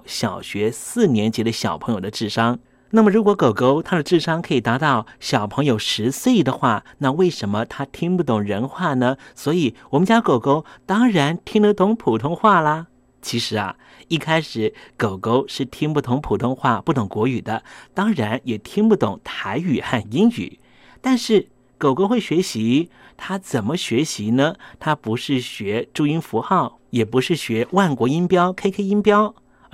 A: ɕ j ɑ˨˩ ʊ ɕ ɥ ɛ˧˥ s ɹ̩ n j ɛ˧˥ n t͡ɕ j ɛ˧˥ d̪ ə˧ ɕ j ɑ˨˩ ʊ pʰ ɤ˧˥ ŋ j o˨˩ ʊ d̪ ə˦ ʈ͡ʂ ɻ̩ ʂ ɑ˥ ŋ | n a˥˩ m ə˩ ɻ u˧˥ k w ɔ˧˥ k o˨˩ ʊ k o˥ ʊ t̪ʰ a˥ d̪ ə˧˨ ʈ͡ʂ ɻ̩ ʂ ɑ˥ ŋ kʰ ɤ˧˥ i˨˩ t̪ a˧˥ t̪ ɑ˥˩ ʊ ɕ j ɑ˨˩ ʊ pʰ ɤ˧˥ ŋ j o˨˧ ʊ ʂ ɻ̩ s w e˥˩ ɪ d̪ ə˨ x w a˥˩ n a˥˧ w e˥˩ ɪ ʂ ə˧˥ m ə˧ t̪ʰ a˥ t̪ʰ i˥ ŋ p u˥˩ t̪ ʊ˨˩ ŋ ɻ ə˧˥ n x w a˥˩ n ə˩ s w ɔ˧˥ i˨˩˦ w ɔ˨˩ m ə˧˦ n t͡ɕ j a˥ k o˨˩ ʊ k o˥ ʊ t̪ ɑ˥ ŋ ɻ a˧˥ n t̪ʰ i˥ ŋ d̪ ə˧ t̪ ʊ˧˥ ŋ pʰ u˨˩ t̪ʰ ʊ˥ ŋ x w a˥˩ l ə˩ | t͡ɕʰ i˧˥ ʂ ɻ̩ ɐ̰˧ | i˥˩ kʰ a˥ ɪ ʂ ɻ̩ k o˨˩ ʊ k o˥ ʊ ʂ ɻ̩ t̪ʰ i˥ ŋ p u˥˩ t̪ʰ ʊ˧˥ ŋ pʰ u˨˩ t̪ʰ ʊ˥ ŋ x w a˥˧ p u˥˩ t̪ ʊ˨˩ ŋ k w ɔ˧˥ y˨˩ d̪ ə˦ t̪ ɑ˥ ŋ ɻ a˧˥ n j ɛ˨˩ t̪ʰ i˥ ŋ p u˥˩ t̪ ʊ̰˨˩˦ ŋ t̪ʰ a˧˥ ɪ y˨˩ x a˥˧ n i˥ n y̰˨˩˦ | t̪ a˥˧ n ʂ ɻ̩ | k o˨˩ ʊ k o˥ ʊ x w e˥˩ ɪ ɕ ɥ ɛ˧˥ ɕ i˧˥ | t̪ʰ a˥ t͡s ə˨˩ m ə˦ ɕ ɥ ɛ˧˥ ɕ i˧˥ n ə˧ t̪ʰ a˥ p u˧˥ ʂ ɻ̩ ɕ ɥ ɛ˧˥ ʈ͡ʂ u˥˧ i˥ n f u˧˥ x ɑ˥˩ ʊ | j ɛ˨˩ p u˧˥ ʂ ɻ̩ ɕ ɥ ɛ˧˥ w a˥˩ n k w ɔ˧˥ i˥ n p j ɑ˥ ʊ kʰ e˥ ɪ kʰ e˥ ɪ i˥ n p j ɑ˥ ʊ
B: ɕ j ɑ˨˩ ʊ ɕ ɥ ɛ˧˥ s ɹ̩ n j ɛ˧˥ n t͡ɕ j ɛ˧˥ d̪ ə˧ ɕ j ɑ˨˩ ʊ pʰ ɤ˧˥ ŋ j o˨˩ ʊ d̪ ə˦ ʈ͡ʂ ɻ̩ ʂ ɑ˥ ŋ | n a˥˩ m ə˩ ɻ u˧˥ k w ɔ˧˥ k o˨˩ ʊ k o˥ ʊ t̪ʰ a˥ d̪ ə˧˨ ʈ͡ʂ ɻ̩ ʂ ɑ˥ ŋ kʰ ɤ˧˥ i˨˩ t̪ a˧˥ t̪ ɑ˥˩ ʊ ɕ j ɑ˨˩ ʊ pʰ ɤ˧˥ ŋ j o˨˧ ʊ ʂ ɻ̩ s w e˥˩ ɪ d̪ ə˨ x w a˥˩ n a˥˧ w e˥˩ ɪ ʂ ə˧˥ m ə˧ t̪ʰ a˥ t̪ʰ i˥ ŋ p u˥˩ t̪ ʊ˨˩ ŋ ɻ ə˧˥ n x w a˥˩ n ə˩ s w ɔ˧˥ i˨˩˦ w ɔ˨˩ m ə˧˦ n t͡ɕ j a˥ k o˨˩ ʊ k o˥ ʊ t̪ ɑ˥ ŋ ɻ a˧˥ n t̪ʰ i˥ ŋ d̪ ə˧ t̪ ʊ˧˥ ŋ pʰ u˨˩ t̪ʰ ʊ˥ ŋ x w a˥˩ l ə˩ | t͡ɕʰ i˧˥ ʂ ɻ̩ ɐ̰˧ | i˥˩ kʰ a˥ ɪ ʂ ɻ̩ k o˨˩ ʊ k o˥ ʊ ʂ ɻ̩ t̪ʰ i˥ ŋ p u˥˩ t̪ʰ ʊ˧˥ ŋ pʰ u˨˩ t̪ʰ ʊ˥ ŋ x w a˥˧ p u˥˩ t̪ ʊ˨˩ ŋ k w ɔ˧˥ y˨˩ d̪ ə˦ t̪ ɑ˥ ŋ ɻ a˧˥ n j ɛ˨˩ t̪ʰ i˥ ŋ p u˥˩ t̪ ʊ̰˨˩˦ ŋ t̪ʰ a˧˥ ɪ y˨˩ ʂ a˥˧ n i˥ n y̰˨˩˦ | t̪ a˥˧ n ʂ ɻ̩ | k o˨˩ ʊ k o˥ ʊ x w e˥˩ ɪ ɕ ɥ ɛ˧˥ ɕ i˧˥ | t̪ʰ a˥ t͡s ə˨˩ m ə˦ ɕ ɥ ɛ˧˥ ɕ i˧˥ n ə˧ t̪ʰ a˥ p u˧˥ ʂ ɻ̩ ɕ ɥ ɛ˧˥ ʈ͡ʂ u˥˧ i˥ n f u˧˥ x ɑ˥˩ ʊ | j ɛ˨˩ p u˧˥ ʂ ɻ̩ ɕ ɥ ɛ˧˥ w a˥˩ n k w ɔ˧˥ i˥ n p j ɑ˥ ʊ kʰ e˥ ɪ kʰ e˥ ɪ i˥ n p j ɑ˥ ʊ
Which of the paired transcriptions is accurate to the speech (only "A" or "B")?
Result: A